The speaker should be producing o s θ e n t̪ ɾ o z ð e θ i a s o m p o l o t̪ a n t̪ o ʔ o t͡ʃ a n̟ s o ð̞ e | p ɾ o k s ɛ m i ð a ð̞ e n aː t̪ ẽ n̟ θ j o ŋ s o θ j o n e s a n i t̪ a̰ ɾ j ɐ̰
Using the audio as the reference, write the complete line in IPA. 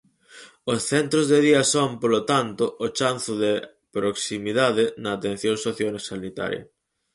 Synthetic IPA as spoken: o s θ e n t̪ ɾ o z ð e ð i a s o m p o l o t̪ a n t̪ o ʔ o t͡ʃ a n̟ θ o ð̞ e | p ɾ o k s i m i ð a ð̞ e n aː t̪ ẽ n̟ θ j o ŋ s o θ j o n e s a n i t̪ a̰ ɾ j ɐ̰